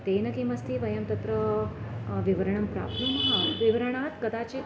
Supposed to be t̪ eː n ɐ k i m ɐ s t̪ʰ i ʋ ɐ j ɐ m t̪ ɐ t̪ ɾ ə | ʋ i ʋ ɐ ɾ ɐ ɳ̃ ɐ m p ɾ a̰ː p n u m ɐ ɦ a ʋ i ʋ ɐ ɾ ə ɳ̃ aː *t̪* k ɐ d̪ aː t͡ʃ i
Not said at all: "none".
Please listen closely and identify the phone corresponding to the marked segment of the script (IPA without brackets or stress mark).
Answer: t̪